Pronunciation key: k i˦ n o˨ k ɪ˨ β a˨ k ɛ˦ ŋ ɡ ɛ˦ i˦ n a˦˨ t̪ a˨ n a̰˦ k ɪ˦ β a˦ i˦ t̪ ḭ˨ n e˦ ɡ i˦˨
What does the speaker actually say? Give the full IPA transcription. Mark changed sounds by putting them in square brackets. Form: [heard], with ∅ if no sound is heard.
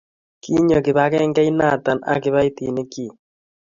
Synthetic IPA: k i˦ [ɲ] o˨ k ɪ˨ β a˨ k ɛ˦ ŋ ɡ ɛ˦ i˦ n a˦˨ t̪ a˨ n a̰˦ k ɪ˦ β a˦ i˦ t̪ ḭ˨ n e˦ [k] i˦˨